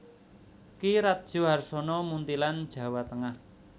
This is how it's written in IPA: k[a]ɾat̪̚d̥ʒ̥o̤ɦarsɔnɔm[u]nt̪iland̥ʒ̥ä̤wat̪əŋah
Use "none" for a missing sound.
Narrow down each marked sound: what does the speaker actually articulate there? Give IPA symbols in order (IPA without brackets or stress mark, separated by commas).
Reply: i, u